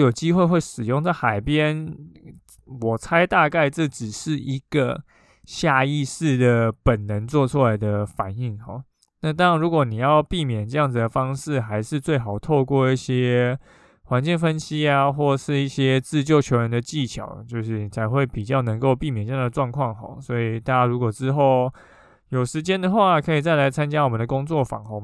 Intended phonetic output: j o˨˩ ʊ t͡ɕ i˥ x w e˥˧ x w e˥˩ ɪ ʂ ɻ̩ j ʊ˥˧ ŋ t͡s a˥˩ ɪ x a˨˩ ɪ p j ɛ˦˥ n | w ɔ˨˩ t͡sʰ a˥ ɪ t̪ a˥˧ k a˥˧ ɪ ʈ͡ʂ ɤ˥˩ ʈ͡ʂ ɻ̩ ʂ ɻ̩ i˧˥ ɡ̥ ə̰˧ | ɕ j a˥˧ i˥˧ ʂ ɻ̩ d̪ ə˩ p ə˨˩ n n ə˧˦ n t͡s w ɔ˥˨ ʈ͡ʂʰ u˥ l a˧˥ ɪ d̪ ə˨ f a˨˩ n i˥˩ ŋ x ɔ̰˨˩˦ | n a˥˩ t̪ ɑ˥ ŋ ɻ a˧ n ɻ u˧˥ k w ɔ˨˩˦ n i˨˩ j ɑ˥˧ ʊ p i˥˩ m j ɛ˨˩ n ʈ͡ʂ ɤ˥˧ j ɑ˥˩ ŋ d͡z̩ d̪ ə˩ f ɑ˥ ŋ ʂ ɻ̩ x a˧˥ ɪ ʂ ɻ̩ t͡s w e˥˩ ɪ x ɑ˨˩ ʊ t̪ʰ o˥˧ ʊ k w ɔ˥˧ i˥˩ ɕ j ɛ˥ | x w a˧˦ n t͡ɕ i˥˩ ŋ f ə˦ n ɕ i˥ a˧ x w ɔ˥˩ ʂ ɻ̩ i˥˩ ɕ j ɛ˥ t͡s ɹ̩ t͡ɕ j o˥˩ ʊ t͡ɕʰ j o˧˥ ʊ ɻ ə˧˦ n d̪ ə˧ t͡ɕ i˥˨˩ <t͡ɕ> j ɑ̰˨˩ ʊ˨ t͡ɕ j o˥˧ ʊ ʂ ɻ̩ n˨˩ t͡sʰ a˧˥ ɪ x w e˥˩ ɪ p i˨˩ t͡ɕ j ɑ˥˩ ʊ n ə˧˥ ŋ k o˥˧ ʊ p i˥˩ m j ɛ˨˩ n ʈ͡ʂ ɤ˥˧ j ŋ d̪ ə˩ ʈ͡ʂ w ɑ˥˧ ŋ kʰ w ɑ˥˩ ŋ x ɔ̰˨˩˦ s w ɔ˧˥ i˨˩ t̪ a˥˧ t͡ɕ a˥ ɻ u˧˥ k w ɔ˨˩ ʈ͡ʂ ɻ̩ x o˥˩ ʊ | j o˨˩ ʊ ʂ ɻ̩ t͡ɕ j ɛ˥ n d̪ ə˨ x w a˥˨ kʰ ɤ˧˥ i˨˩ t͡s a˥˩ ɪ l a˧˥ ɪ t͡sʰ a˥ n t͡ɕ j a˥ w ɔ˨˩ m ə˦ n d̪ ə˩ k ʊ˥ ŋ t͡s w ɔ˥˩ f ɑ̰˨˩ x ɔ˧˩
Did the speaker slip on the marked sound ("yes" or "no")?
yes